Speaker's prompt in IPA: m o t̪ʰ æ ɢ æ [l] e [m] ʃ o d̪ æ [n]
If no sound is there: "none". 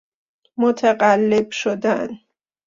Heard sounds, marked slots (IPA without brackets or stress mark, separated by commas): lː, b, n